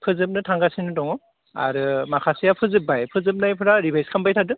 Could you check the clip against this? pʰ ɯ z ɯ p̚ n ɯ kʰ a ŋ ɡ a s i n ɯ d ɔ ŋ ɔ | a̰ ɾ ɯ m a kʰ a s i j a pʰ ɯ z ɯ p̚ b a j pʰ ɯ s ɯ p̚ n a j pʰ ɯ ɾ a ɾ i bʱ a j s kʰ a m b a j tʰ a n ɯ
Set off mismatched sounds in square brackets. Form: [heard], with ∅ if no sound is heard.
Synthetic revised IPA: pʰ ɯ z ɯ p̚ n ɯ [tʰ] a ŋ ɡ a s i n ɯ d ɔ ŋ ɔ | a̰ ɾ ɯ m a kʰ a s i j a pʰ ɯ z ɯ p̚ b a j pʰ ɯ [z] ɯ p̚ n a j pʰ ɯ ɾ a ɾ i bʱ a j s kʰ a m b a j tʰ a [d] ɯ

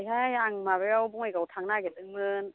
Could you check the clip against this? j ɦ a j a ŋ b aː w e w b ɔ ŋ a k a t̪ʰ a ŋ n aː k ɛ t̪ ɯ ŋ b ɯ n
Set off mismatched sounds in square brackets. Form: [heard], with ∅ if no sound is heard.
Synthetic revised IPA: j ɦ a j a ŋ [m] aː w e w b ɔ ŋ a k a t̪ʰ a ŋ n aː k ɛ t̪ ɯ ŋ [m] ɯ n

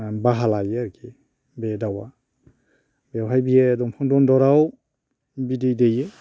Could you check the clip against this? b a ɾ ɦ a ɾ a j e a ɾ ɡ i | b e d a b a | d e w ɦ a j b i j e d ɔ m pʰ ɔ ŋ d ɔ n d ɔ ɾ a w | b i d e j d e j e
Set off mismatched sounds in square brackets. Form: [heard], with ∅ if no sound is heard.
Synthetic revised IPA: b a [∅] ɦ a [l] a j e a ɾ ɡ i | b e d a [w] a | [b] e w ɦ a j b i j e d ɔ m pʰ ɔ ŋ d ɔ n d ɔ ɾ a w | b i d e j d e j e

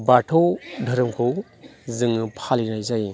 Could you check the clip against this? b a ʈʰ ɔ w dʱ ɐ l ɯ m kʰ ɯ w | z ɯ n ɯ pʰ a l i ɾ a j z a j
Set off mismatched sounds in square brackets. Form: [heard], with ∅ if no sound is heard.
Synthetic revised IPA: b a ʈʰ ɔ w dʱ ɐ [ɾ] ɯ m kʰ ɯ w | z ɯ [ŋ] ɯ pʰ a l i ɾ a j z a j

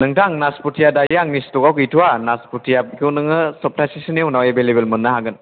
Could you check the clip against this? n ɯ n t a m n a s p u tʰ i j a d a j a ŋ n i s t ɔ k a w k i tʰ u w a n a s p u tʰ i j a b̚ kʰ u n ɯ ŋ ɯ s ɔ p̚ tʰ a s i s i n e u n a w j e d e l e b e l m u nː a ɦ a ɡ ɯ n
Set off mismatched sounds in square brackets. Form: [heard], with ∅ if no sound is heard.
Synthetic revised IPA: n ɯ [ŋ] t a [ŋ] n a s p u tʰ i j a d a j a ŋ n i s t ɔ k a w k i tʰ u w a n a s p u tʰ i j a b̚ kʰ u n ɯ ŋ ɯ s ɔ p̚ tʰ a s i s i n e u n a w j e [b] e l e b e l m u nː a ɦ a ɡ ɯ n

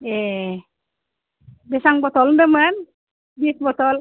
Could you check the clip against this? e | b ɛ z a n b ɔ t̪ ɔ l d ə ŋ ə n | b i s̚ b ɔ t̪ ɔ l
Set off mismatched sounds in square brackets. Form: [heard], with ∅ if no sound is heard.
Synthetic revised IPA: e | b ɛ [s] a [ŋ] b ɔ t̪ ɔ l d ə [m] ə n | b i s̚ b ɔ t̪ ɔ l

